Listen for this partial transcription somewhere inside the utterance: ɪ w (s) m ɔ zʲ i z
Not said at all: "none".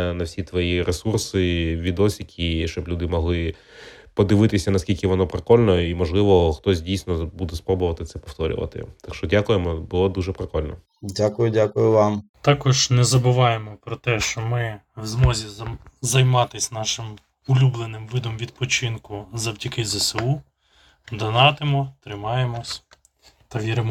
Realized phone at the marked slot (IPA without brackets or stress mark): z